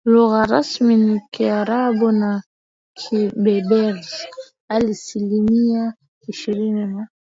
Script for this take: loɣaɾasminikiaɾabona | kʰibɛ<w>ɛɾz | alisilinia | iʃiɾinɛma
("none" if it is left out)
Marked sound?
b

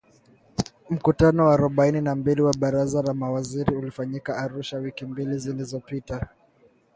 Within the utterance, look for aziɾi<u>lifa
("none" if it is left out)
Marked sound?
u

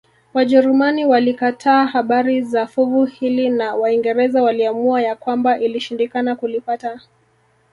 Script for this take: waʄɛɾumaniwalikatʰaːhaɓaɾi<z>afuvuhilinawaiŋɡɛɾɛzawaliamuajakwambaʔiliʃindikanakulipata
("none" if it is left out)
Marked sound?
z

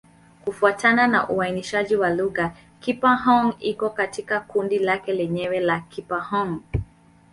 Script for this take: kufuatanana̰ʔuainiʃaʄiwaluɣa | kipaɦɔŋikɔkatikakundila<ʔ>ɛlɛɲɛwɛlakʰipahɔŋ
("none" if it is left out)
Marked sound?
k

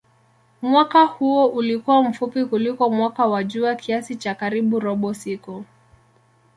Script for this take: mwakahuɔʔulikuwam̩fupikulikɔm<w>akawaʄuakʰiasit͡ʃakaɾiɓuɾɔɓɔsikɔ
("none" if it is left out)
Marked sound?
w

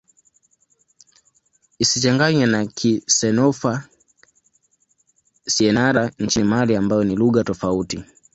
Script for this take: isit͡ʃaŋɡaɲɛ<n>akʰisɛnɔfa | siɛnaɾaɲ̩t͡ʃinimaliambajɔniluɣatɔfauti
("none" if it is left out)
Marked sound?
n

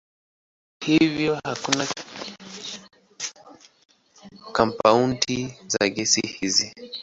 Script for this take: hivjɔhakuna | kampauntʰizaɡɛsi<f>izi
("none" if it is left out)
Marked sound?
h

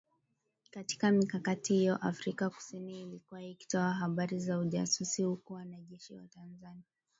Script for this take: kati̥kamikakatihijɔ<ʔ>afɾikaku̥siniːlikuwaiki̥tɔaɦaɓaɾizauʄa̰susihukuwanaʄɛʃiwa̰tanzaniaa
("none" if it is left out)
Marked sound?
ʔ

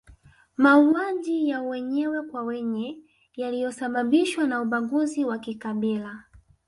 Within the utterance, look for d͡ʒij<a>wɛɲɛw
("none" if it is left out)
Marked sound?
a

